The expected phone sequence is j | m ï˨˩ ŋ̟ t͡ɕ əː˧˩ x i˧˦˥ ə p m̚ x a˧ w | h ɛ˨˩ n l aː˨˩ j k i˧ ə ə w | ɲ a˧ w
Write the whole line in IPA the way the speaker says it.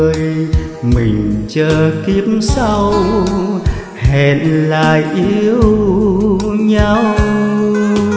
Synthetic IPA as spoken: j | m ï˨˩ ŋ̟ t͡ɕ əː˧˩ k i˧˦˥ ə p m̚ s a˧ w | h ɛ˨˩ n l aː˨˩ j ʔ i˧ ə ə w | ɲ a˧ w